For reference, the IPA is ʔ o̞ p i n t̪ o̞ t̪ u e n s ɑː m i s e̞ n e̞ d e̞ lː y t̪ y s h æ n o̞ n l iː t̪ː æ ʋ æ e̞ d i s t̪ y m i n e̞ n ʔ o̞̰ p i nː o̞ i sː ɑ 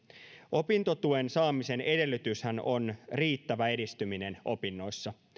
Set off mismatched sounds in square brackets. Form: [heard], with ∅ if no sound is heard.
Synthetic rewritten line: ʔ o̞ p i n t̪ o̞ t̪ u e n s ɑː m i s e̞ n e̞ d e̞ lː y t̪ y s h æ n o̞ n [r] iː t̪ː æ ʋ æ e̞ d i s t̪ y m i n e̞ n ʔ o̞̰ p i nː o̞ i sː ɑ